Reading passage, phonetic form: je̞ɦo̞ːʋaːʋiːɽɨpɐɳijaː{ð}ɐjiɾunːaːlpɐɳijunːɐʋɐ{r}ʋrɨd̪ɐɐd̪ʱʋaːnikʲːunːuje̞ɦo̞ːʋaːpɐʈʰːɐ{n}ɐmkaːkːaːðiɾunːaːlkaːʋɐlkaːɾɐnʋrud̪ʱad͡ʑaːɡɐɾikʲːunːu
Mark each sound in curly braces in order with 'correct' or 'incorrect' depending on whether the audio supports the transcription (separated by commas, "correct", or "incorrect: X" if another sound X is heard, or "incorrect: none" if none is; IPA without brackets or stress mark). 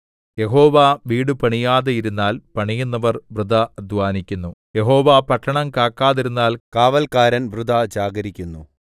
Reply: correct, correct, incorrect: ɳ